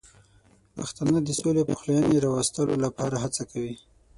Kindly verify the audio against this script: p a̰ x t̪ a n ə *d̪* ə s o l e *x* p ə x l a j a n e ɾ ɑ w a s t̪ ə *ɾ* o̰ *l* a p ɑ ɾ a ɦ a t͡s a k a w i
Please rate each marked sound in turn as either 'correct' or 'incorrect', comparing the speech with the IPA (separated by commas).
correct, incorrect, incorrect, correct